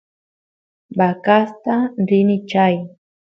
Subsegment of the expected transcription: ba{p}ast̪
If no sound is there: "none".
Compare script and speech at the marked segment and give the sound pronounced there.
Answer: k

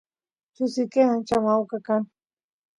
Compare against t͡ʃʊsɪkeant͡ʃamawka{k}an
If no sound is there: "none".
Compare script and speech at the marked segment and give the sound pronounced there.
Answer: k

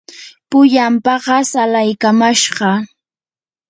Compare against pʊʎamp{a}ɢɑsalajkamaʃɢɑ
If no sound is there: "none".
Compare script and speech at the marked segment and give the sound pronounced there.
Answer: ɑ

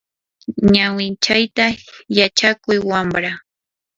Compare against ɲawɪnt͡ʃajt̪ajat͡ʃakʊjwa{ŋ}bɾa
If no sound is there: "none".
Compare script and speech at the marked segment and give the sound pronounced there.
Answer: m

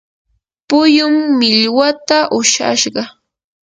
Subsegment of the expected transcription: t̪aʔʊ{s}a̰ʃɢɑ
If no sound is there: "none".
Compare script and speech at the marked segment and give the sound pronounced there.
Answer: ʃ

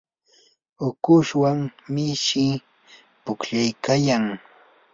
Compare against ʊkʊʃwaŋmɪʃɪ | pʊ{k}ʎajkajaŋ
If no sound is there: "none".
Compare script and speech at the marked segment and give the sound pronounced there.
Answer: k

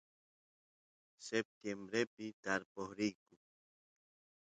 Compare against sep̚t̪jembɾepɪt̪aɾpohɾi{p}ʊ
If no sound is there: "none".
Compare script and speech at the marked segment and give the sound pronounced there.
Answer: k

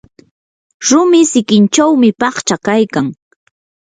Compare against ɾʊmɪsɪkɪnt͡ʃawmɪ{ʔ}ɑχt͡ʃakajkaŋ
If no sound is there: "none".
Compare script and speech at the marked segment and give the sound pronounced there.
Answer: p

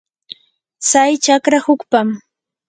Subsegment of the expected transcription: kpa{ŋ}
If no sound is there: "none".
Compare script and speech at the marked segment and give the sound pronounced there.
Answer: m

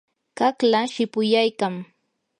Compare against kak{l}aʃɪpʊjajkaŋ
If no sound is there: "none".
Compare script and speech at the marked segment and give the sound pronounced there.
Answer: l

